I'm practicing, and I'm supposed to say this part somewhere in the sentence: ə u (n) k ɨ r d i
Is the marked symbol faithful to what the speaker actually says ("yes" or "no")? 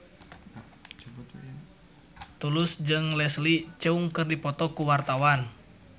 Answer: no